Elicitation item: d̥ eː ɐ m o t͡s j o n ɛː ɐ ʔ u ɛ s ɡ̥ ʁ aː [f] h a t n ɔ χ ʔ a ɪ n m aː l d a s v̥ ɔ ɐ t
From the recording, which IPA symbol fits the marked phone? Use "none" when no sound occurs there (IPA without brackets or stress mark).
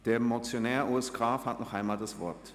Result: f